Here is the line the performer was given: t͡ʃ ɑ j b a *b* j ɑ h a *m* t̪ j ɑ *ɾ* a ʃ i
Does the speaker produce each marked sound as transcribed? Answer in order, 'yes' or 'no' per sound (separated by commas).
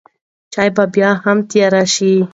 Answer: yes, yes, yes